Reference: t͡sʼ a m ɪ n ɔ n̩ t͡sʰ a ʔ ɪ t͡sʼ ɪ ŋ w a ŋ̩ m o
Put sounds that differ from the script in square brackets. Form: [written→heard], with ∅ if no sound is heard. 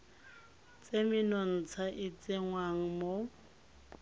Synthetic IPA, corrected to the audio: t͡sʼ [a→e] m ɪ n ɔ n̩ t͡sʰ a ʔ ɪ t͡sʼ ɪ ŋ w a ŋ̩ m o